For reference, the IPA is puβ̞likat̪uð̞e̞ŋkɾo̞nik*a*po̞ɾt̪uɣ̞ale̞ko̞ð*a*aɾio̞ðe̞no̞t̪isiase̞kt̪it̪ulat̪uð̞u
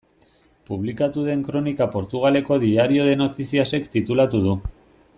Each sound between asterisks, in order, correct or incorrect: correct, incorrect

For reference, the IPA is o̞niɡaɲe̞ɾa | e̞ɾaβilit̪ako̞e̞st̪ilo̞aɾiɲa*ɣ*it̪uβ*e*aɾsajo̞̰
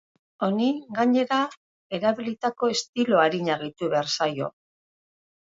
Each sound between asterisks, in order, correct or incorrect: correct, correct

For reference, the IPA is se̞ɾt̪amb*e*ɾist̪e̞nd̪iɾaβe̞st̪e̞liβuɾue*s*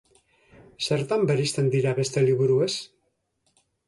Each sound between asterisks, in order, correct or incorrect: correct, correct

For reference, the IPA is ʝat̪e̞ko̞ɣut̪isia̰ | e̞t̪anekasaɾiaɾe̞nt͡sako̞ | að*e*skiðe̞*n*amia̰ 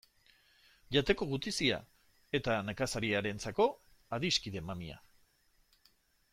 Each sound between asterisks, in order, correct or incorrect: incorrect, incorrect

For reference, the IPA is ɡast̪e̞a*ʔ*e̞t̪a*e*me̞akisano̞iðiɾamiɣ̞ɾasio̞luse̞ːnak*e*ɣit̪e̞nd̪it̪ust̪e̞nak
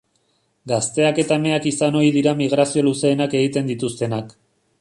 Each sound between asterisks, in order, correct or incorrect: incorrect, correct, correct

